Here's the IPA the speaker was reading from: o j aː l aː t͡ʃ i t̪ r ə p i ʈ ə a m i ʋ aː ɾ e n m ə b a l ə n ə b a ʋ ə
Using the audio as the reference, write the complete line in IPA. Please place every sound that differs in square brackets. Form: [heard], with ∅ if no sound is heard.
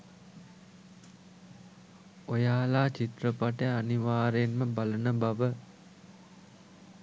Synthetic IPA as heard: o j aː l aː t͡ʃ i t̪ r ə p [a] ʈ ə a [n] i ʋ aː ɾ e n m ə b a l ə n ə b a ʋ ə